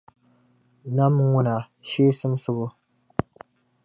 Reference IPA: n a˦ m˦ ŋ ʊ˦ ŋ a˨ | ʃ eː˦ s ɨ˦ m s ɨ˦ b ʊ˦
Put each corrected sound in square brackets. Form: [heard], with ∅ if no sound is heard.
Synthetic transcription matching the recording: n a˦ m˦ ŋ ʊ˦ [n] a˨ | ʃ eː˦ s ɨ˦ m s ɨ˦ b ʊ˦